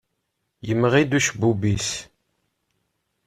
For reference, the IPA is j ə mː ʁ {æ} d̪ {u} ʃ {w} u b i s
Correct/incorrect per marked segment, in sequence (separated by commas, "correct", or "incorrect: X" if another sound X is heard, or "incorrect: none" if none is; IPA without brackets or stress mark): incorrect: i, correct, incorrect: b